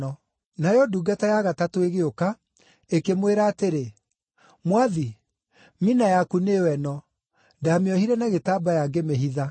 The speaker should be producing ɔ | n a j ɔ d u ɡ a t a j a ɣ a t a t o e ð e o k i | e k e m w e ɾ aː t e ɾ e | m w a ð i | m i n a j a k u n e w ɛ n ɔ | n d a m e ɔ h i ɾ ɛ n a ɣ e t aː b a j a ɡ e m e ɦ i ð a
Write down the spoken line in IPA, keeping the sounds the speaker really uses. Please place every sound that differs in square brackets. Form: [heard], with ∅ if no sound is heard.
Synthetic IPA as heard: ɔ | n a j ɔ d u ɡ a t a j a ɣ a t a t o e [ɣ] e o k [a] | e k e m w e ɾ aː t e ɾ e | m w a ð i | m i n a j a k u n e w ɛ n ɔ | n d a m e ɔ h i ɾ ɛ n a ɣ e t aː b a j a ɡ e m e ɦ i ð a